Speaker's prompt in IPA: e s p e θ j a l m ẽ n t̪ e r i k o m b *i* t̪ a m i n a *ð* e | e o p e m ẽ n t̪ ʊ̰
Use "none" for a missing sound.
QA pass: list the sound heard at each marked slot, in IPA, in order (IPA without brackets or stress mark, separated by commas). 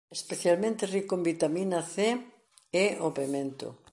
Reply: i, θ